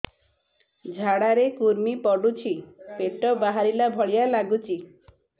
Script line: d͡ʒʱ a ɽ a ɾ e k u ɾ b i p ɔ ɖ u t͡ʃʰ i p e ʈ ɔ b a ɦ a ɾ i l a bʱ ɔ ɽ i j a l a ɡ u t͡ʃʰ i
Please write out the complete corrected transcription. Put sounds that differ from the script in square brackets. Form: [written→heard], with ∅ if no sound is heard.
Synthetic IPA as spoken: d͡ʒʱ a ɽ a ɾ e k u ɾ [b→m] i p ɔ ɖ u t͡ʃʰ i p e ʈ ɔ b a ɦ a ɾ i l a bʱ ɔ [ɽ→ɭ] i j a l a ɡ u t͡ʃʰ i